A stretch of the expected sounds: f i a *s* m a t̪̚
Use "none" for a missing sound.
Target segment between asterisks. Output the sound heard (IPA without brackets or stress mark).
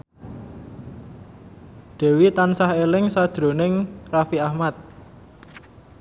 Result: h